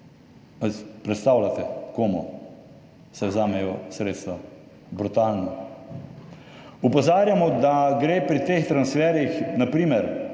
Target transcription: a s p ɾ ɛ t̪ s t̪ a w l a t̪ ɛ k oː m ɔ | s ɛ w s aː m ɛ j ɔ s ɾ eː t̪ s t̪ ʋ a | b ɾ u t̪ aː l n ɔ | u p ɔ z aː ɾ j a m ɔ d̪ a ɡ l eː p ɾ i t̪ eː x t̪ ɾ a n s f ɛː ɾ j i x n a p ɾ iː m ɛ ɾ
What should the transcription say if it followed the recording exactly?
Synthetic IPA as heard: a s p ɾ ɛ t̪ s t̪ a w l a t̪ ɛ k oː m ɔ | s ɛ w z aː m ɛ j ɔ s ɾ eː t̪ s t̪ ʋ a | b ɾ u t̪ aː l n ɔ | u p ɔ z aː ɾ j a m ɔ d̪ a ɡ ɾ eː p ɾ i t̪ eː x t̪ ɾ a n s f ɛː ɾ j i x n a p ɾ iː m ɛ ɾ